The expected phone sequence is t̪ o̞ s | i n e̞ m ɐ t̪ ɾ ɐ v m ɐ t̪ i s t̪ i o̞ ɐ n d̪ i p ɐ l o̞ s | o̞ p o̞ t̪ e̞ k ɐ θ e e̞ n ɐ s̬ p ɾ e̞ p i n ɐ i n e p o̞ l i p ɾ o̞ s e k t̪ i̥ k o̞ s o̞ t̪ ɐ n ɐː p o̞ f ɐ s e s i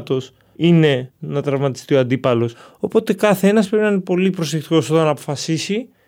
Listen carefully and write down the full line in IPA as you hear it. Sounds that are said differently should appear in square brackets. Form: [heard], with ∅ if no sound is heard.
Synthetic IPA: t̪ o̞ s | i n e̞ [n] ɐ t̪ ɾ ɐ v m ɐ t̪ i s t̪ i o̞ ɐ n d̪ i p ɐ l o̞ s | o̞ p o̞ t̪ e̞ k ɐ θ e e̞ n ɐ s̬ p ɾ e̞ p i n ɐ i n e p o̞ l i p ɾ o̞ s e k t̪ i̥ k o̞ s o̞ t̪ ɐ n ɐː p o̞ f ɐ s [i] s i